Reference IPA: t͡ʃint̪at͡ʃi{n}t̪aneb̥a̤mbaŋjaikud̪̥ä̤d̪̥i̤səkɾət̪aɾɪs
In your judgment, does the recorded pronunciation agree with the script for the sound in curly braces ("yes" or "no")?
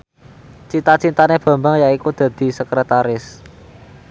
yes